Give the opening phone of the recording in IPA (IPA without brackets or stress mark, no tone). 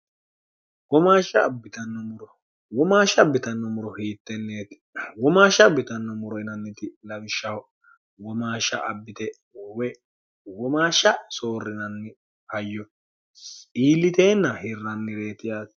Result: w